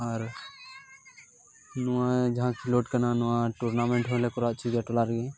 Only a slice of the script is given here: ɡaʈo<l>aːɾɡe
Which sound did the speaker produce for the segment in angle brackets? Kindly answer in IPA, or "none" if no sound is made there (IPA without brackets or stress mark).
l